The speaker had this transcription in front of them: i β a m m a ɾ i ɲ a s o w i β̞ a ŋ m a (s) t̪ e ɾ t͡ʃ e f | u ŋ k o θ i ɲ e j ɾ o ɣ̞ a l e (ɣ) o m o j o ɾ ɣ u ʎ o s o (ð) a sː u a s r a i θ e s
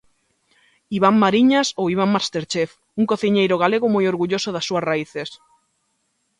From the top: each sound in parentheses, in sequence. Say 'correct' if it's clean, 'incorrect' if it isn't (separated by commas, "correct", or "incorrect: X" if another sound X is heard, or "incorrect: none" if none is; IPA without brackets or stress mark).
correct, correct, correct